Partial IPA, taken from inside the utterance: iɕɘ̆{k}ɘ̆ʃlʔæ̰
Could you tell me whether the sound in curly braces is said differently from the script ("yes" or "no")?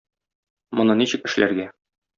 no